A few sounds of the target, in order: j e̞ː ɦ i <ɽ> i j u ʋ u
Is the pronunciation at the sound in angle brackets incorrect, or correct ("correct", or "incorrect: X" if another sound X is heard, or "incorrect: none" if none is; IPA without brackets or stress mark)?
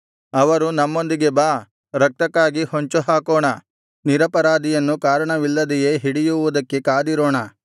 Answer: correct